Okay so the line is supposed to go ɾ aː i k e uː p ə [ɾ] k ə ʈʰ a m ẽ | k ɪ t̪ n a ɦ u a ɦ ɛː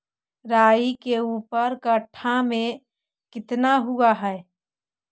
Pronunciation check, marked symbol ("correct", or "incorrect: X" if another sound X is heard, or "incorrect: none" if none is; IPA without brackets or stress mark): correct